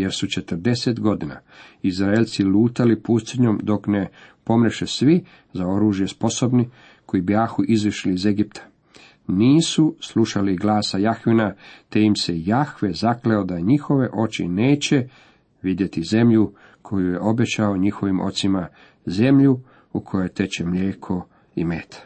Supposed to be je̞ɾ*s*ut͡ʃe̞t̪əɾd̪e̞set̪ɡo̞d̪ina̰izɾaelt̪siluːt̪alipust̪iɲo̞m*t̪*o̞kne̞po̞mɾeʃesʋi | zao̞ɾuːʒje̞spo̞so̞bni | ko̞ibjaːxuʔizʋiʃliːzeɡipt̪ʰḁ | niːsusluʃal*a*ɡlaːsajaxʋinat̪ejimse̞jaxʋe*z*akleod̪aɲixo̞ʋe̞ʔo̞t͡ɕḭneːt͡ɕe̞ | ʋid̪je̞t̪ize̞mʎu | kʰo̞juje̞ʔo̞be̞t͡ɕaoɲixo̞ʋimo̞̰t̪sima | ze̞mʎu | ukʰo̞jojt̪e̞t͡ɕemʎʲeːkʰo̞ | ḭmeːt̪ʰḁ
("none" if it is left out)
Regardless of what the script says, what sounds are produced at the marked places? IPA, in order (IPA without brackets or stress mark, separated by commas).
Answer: s, d̪, i, z